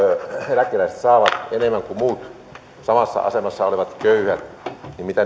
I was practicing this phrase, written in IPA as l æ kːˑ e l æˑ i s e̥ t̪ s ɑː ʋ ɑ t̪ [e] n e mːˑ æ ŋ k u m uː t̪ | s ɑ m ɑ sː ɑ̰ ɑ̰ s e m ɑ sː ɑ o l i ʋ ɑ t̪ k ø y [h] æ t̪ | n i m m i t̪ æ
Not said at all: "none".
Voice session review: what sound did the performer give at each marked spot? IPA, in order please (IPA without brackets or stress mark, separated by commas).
e, h